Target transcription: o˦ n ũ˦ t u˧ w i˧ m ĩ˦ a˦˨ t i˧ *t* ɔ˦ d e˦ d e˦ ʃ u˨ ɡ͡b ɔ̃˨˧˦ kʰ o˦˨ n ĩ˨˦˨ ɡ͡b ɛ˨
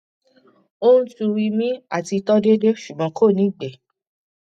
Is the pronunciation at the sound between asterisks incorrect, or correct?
correct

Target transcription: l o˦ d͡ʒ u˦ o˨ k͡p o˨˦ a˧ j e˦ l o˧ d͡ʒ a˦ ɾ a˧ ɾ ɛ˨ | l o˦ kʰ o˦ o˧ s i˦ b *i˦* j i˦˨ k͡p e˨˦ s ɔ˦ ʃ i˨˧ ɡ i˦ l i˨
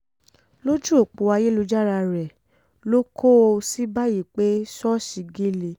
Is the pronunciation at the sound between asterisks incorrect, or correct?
incorrect: a˦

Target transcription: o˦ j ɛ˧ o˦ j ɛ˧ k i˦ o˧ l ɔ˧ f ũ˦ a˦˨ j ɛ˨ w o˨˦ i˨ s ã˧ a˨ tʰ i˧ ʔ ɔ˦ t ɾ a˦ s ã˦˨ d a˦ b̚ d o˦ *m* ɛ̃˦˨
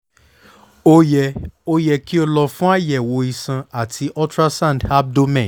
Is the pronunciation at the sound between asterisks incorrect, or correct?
correct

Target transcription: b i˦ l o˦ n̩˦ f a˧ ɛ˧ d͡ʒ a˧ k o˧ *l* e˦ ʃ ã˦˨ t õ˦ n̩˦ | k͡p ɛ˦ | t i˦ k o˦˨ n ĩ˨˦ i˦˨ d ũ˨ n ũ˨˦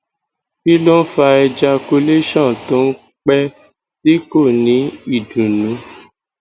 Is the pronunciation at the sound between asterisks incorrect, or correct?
correct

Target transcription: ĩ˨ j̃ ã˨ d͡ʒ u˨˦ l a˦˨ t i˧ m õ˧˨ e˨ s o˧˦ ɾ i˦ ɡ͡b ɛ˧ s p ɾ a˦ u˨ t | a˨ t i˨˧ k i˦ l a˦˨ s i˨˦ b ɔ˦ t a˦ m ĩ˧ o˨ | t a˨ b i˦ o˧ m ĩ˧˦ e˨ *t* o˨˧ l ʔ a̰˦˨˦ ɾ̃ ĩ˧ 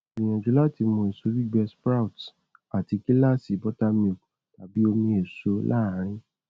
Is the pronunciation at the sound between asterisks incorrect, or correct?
incorrect: s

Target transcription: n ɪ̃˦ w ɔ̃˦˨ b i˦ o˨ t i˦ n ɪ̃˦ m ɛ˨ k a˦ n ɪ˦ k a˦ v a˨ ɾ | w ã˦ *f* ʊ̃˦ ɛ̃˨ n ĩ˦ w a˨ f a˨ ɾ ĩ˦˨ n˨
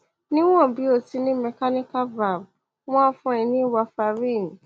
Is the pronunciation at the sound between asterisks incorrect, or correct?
correct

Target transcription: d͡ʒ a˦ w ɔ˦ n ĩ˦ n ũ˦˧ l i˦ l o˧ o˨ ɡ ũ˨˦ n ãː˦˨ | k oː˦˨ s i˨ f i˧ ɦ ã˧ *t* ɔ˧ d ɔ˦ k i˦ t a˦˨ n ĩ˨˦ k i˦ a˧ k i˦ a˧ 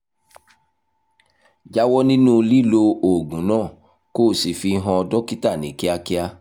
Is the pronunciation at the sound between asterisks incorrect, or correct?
incorrect: none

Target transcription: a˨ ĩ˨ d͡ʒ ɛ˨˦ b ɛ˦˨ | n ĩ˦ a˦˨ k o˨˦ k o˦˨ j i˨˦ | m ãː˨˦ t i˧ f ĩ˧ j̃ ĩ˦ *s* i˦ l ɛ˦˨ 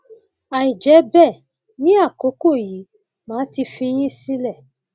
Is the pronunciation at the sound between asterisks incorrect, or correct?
correct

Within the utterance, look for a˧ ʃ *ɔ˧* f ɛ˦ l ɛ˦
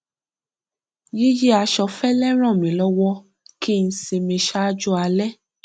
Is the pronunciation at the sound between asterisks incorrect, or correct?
correct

